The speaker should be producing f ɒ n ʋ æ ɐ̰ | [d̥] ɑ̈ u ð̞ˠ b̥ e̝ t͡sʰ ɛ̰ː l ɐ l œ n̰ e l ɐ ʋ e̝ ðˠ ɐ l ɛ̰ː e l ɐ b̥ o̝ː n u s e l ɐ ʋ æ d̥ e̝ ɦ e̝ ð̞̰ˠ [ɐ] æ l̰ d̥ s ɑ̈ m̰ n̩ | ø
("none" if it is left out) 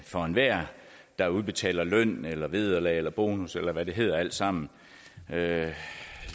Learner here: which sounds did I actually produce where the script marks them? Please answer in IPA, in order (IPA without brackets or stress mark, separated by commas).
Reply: d̥, ɐ